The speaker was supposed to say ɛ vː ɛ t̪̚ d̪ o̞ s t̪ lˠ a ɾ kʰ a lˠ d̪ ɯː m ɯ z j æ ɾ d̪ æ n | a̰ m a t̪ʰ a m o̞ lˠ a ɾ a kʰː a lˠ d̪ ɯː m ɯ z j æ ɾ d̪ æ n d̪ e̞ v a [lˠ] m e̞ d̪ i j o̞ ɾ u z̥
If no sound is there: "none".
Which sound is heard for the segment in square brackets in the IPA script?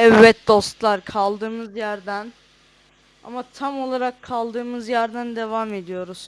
none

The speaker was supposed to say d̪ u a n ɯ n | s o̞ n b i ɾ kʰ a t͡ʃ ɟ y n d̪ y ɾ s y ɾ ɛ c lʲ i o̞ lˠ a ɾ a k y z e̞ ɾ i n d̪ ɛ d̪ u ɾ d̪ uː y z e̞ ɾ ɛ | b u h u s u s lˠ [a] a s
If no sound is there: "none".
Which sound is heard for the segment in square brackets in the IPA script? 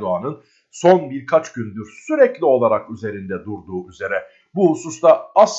a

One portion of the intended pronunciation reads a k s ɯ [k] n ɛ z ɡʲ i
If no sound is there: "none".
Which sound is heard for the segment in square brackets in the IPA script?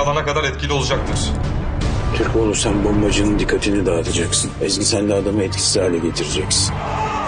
none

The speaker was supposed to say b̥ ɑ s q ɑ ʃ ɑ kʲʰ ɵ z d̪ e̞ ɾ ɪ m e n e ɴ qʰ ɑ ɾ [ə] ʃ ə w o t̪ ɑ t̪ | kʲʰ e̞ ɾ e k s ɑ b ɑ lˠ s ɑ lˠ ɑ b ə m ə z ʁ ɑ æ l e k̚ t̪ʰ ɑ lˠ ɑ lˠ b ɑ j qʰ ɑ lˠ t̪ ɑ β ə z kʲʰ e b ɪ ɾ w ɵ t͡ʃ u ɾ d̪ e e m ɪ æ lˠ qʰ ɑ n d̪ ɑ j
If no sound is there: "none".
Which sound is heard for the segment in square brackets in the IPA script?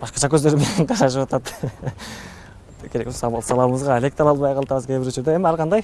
ɑ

